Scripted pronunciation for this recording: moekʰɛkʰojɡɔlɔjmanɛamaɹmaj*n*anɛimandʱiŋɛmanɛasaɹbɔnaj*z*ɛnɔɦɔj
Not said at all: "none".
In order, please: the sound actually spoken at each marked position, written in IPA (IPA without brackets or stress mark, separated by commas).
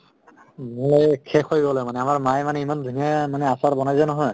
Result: m, z